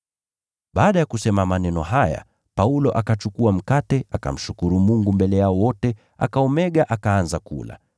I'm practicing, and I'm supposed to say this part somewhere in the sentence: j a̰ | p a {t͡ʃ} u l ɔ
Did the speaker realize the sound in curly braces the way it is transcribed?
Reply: no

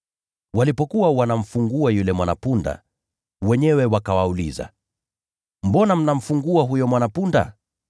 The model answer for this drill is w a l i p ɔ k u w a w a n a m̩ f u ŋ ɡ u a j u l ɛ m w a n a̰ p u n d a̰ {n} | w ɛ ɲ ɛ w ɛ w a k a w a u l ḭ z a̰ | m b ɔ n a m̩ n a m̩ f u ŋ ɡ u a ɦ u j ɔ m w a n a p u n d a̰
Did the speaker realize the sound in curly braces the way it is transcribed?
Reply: no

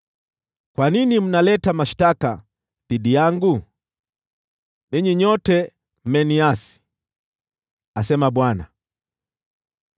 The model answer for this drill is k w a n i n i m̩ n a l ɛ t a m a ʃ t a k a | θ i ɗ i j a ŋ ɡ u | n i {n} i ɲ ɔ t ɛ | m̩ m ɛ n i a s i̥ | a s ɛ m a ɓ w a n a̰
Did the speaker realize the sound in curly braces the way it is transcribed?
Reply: no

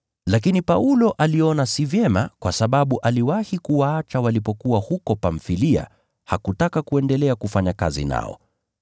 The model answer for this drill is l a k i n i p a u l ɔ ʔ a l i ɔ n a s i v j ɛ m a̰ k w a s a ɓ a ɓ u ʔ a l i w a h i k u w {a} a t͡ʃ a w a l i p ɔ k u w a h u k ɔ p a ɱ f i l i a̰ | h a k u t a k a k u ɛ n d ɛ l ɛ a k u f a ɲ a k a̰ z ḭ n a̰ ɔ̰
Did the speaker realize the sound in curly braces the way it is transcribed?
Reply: yes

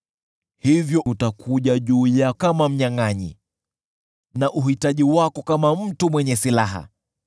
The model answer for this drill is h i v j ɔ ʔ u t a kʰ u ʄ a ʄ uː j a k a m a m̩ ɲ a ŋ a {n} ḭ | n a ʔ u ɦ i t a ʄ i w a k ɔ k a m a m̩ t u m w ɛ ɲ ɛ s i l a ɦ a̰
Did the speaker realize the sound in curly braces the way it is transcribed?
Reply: no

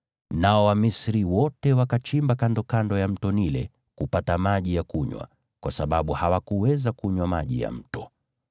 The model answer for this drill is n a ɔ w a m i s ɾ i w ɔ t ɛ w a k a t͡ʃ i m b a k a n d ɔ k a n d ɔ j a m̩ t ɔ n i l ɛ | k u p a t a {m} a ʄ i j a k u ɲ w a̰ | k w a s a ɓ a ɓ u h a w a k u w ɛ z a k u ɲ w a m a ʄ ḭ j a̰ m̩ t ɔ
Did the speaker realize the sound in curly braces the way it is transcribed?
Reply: yes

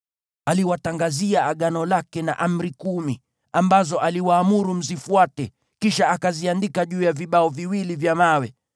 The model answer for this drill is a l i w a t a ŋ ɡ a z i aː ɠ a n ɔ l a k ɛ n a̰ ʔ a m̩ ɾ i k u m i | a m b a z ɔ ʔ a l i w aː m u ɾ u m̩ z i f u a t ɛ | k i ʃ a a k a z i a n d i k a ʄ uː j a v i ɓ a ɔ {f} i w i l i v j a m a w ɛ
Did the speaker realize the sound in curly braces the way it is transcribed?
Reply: no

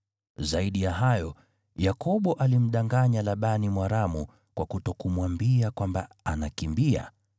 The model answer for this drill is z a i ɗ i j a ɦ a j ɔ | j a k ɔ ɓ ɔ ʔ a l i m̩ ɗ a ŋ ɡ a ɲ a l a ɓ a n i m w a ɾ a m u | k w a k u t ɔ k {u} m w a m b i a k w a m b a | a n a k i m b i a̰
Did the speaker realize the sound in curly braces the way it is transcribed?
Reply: yes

